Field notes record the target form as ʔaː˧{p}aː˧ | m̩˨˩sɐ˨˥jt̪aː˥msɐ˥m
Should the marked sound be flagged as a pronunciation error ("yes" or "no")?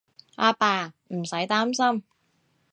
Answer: no